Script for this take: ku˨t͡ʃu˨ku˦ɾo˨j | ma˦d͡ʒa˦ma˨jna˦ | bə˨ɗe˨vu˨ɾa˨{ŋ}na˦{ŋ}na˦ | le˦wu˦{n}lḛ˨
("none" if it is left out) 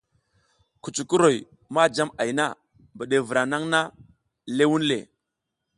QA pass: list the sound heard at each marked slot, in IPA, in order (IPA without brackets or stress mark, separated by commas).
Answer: none, ŋ, n